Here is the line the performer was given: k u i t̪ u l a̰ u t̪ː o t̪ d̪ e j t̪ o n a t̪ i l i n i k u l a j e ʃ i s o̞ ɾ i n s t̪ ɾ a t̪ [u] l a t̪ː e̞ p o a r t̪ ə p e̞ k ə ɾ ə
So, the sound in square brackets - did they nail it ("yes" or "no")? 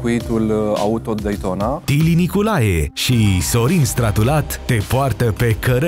yes